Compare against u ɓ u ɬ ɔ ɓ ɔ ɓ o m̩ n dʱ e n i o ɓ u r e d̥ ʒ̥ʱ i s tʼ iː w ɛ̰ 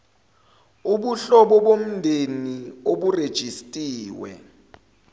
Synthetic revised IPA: u ɓ u ɬ ɔ ɓ ɔ ɓ o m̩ n dʱ e n i o ɓ u r e d̥ ʒ̥ʱ i s tʼ iː w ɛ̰